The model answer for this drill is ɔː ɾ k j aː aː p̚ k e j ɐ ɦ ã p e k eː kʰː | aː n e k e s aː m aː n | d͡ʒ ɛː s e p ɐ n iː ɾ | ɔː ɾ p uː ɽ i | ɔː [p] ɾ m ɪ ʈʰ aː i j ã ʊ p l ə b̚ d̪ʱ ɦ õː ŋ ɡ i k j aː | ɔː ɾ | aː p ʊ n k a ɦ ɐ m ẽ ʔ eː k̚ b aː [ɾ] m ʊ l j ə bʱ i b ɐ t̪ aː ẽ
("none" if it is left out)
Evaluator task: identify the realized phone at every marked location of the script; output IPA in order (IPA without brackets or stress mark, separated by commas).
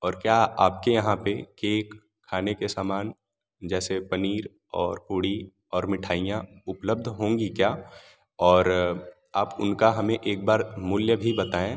none, ɾ